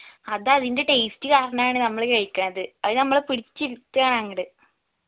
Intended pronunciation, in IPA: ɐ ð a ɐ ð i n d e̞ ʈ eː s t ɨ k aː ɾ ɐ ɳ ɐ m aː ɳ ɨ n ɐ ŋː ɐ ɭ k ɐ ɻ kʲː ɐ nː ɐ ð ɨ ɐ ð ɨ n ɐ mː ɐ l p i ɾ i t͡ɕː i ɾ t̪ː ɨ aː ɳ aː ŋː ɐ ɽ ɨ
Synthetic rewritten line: ɐ ð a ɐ ð i n d e̞ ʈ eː s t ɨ k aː ɾ ɐ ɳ ɐ m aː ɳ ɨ n ɐ mː ɐ ɭ k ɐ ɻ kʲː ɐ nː ɐ ð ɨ ɐ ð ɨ n ɐ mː ɐ ɭ p i ɽ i t͡ɕː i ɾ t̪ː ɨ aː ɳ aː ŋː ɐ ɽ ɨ